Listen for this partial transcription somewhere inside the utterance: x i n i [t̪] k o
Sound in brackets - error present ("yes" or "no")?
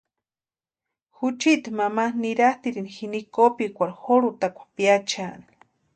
yes